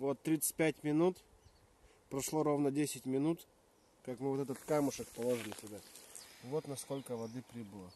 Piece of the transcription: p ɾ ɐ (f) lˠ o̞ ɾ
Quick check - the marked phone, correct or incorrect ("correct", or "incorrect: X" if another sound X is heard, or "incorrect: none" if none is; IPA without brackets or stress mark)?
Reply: incorrect: ʂ